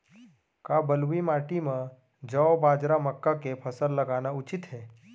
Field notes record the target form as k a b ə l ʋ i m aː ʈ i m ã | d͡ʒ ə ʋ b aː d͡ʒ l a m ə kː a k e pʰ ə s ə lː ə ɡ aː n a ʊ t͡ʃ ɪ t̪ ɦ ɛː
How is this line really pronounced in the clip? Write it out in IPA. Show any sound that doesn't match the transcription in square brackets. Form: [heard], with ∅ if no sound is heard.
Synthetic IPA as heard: k a b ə l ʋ i m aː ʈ i m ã | d͡ʒ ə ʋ b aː d͡ʒ [ɾ] a m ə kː a k e pʰ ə s ə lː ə ɡ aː n a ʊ t͡ʃ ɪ t̪ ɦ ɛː